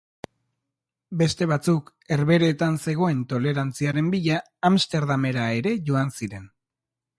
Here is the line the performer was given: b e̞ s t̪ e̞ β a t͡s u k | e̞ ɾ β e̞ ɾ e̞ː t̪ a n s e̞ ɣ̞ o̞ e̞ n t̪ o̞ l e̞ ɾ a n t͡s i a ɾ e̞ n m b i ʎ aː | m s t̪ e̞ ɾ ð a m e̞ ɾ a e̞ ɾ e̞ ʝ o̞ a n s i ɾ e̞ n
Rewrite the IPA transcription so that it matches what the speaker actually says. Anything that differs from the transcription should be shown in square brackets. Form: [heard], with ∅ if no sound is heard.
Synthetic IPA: b e̞ s t̪ e̞ β a t͡s u k | e̞ ɾ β e̞ ɾ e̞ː t̪ a n s e̞ ɣ̞ o̞ e̞ n t̪ o̞ l e̞ ɾ a n t͡s i a ɾ e̞ [∅] m b i ʎ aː | m s t̪ e̞ ɾ ð a m e̞ ɾ a e̞ ɾ e̞ ʝ o̞ a n s i ɾ e̞ n